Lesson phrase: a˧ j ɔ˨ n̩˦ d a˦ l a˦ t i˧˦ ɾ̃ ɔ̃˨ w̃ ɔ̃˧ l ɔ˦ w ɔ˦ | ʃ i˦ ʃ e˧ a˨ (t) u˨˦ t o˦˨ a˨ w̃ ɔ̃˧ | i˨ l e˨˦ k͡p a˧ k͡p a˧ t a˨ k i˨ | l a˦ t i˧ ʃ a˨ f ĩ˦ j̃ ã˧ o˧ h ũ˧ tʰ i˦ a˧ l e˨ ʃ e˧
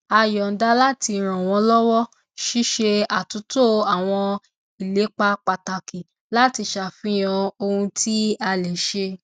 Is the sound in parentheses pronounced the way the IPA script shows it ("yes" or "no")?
yes